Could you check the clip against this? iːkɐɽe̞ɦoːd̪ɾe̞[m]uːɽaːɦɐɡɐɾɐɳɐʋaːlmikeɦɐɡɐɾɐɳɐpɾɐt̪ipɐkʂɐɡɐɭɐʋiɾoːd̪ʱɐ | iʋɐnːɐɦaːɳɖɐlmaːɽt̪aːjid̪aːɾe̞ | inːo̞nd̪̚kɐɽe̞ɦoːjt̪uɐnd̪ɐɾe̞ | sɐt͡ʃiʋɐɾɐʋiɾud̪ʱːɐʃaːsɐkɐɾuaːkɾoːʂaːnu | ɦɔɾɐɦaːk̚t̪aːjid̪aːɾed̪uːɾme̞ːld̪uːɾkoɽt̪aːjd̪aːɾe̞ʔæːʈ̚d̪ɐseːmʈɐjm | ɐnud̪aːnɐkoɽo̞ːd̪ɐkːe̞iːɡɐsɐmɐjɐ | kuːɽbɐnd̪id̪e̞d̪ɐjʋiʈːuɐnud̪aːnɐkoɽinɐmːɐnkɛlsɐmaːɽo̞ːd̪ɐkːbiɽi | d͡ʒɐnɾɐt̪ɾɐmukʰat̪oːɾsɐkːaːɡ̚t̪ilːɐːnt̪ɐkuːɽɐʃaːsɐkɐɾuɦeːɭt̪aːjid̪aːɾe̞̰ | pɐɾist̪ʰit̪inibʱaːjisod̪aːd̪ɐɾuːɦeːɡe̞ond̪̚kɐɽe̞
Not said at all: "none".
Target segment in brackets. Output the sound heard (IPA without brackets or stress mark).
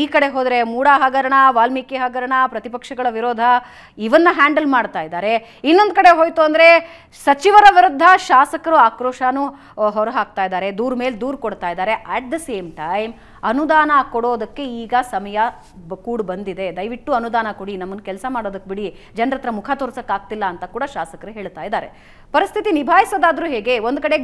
m